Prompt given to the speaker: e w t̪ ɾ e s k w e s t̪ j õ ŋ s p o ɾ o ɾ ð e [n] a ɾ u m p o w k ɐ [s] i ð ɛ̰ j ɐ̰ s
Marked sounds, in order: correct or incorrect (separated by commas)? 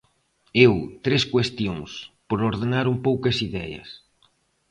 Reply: correct, correct